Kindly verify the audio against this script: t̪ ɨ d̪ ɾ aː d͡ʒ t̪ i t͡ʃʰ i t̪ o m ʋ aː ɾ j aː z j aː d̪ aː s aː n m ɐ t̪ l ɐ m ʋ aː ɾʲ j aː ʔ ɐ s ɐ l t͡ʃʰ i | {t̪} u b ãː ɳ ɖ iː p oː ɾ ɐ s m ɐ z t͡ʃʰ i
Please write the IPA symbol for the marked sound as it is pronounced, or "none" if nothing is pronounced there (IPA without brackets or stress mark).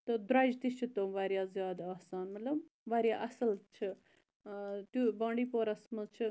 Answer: t̪